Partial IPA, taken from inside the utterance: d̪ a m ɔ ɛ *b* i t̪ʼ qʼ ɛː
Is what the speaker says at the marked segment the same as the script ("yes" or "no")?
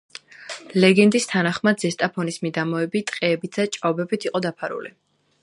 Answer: yes